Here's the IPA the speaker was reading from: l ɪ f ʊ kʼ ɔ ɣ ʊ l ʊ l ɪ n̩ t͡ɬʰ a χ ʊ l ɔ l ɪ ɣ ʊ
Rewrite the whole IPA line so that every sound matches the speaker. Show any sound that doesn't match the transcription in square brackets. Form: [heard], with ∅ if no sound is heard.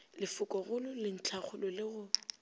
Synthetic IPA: l ɪ f ʊ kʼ ɔ ɣ ʊ l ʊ l ɪ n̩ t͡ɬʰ a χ ʊ l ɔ l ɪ ɣ ʊ